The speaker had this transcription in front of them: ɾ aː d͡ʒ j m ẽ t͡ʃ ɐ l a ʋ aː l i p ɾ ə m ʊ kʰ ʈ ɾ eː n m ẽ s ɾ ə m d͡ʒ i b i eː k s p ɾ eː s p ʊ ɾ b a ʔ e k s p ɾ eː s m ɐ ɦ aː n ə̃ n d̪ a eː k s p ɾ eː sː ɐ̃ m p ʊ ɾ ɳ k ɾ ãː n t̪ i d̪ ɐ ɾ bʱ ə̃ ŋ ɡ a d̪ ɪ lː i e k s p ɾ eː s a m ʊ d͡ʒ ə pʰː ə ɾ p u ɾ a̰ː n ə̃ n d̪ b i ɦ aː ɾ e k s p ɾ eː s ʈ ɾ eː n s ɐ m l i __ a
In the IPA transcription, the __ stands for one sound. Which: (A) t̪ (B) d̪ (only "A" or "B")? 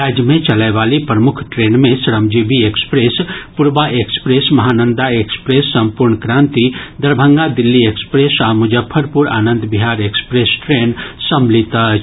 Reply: A